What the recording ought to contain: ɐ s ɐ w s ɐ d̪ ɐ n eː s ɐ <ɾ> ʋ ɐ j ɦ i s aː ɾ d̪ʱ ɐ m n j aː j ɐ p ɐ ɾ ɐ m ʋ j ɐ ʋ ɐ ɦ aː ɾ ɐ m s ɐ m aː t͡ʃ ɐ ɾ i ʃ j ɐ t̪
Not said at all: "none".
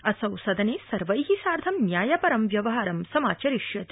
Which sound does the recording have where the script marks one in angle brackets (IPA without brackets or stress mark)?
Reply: ɾ